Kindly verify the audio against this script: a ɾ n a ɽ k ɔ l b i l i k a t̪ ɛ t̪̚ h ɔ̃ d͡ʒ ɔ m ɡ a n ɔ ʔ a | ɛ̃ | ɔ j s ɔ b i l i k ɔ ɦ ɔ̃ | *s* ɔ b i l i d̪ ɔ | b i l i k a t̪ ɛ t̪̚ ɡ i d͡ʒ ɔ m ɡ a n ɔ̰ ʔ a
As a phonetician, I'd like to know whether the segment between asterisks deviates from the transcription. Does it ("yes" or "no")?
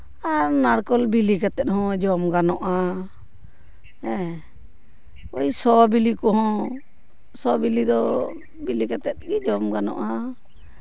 no